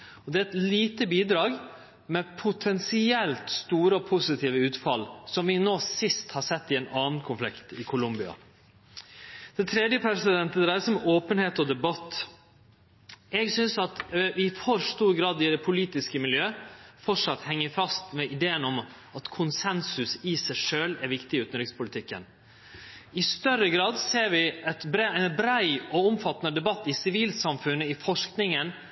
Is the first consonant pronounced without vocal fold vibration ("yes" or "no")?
no